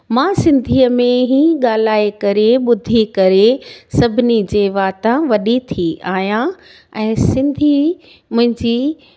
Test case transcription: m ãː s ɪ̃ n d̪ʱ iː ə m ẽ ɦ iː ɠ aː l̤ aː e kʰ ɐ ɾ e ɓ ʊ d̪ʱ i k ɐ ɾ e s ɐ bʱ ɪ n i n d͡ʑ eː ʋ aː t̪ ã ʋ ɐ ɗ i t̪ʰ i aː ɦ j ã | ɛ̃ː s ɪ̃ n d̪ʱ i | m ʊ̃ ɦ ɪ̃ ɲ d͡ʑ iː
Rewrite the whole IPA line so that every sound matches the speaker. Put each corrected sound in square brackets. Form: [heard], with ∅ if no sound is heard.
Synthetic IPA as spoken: m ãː s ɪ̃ n d̪ʱ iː ə m ẽ ɦ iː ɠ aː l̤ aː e [k] ɐ ɾ e ɓ ʊ d̪ʱ i k ɐ ɾ e s ɐ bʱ ɪ n i [∅] d͡ʑ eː ʋ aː t̪ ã ʋ ɐ ɗ i t̪ʰ i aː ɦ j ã | ɛ̃ː s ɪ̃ n d̪ʱ i | m ʊ̃ ɦ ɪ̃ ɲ d͡ʑ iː